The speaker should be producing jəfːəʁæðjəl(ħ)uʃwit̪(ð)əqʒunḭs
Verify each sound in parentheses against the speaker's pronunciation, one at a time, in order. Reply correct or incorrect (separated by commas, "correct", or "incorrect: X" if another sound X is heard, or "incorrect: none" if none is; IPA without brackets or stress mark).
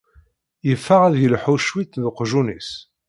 correct, correct